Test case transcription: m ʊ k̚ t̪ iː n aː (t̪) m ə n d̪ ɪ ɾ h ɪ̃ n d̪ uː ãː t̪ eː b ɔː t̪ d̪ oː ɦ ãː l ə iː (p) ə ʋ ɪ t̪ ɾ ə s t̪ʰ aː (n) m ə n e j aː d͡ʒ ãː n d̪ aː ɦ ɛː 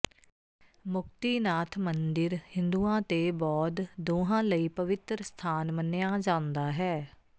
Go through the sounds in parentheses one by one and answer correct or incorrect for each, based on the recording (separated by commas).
incorrect, correct, correct